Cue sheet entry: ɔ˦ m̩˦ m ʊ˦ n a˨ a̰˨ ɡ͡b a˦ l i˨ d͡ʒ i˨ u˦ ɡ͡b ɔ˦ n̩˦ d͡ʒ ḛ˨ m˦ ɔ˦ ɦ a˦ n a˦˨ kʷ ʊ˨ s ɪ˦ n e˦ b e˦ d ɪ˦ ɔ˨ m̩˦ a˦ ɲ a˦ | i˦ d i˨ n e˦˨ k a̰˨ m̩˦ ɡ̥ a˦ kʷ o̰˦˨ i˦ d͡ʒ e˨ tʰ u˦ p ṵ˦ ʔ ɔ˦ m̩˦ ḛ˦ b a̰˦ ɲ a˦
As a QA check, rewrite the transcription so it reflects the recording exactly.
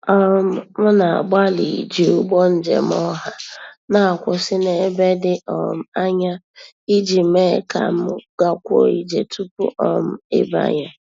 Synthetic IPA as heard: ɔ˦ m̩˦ m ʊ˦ n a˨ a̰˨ ɡ͡b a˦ l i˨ d͡ʒ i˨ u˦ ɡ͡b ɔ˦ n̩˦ d͡ʒ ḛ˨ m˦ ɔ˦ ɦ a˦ n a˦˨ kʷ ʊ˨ s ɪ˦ n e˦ b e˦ d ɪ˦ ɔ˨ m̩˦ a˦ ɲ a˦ | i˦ d͡ʒ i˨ m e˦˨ k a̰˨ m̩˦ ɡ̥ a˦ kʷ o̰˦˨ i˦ d͡ʒ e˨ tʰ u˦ p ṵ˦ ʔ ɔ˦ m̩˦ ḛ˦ b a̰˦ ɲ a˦